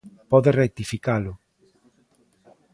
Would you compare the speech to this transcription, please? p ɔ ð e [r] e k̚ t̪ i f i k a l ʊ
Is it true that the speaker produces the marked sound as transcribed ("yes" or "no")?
yes